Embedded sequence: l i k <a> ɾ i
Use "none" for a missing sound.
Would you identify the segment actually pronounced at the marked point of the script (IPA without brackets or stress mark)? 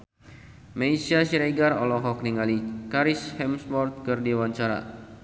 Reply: a